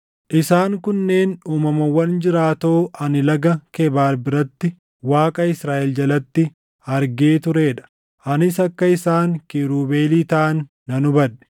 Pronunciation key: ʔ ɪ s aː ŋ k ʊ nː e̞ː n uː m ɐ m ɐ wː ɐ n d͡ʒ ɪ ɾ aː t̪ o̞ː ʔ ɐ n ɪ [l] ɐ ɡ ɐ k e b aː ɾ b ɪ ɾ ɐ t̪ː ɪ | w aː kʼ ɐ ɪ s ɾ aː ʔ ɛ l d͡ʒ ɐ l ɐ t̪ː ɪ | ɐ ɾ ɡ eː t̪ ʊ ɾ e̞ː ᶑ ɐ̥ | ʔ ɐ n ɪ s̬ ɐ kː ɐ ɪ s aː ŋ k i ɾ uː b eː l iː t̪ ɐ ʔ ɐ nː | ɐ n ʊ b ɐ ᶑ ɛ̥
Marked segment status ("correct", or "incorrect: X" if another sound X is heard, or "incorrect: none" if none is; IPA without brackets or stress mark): correct